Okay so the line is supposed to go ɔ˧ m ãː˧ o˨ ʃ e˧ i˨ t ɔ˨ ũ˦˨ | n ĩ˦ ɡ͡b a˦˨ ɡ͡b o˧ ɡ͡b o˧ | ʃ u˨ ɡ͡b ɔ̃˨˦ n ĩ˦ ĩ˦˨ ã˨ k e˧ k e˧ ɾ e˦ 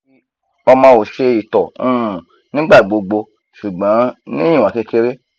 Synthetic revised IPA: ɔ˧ m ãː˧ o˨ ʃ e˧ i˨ t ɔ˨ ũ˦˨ | n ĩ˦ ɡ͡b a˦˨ ɡ͡b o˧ ɡ͡b o˧ | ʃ u˨ ɡ͡b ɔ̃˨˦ n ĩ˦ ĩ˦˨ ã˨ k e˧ k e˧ ɾ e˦